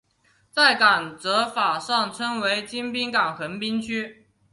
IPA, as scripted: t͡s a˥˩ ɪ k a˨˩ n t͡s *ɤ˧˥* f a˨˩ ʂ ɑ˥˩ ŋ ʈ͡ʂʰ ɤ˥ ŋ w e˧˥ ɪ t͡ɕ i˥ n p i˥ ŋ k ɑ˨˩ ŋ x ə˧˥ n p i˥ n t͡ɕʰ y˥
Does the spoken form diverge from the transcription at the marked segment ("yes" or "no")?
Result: no